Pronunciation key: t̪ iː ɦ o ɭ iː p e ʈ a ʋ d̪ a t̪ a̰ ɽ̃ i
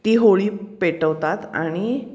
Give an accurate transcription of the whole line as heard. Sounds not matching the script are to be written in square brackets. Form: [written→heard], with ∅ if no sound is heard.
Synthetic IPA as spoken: t̪ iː ɦ o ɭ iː p e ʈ [a→ə] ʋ [d̪→t̪] a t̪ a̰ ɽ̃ i

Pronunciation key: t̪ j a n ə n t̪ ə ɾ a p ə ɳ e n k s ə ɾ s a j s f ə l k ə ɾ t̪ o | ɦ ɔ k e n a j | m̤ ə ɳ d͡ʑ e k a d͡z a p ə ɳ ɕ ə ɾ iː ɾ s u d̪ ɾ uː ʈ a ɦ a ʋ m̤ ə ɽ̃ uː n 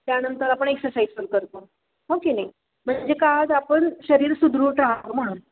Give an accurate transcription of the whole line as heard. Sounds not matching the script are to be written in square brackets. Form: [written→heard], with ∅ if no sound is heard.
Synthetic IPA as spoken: t̪ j a n ə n t̪ ə ɾ a p ə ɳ e [n→∅] k s ə ɾ s a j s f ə l k ə ɾ t̪ o | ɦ [ɔ→o] k e n a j | m̤ ə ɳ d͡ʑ e k a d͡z a p ə ɳ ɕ ə ɾ iː ɾ s u d̪ ɾ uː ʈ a ɦ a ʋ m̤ ə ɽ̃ uː n

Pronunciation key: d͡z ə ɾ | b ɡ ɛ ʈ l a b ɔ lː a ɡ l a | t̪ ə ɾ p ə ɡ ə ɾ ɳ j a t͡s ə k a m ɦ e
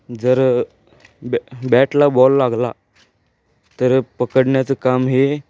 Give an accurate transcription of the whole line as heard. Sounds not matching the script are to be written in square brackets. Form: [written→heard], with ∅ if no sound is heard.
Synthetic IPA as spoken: d͡z ə ɾ | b [ɡ→b] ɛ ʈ l a b ɔ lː a ɡ l a | t̪ ə ɾ p ə [ɡ→k] ə [ɾ→ɽ] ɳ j a t͡s ə k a m ɦ e

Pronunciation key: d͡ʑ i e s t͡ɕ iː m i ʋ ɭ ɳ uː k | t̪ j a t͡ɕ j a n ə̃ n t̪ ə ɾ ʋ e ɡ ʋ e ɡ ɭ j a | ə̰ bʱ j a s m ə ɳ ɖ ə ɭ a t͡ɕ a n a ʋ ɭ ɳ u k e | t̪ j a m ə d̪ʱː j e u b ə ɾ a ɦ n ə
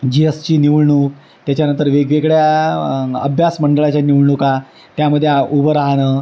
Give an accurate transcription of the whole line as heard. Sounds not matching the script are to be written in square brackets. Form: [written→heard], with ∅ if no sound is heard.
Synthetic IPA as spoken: d͡ʑ i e s t͡ɕ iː [m→n] i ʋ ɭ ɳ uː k | t̪ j a t͡ɕ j a n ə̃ n t̪ ə ɾ ʋ e ɡ ʋ e ɡ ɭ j a | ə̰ bʱ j a s m ə ɳ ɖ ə ɭ a t͡ɕ a n [a→i] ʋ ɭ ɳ u k [e→a] | t̪ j a m ə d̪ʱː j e u b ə ɾ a ɦ n ə

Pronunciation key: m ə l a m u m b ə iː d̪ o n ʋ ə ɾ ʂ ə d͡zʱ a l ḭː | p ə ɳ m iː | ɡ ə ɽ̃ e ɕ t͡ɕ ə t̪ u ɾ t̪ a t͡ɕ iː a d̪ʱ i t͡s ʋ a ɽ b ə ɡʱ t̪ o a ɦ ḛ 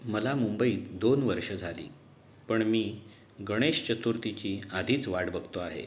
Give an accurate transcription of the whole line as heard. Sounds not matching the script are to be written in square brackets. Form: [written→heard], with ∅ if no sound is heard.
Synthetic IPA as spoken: m ə l a m u m b ə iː d̪ o n ʋ ə ɾ ʂ ə d͡zʱ a l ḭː | p ə ɳ m iː | ɡ ə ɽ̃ e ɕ t͡ɕ ə t̪ u ɾ t̪ [a→i] t͡ɕ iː a d̪ʱ [i→iː] t͡s ʋ a ɽ b ə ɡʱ t̪ o a ɦ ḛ

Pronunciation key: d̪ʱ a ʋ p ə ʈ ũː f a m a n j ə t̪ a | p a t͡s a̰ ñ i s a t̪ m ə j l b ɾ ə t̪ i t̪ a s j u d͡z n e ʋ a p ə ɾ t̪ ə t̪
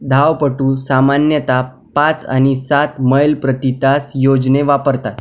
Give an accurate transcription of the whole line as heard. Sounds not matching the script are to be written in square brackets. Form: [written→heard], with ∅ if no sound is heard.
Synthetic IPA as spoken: d̪ʱ a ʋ p ə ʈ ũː [f→s] a m a n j ə t̪ a | p a t͡s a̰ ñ i s a t̪ m ə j l [b→p] ɾ ə t̪ i t̪ a s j [u→o] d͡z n e ʋ a p ə ɾ t̪ [ə→a] t̪

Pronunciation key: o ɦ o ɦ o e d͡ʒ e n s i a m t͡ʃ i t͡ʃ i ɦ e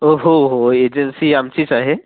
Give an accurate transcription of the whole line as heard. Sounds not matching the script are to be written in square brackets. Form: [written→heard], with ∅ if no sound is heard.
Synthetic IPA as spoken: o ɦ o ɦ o e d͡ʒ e n s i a m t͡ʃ i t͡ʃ [i→a] ɦ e

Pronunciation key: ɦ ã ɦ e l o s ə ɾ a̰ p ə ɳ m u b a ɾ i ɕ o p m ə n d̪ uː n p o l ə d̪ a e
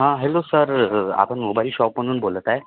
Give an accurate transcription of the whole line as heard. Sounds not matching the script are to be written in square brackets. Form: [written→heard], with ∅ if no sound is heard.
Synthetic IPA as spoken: ɦ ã ɦ e l o s ə ɾ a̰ p ə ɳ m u b a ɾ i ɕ [o→ɔ] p m ə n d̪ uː n [p→b] o l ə [d̪→t̪] a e

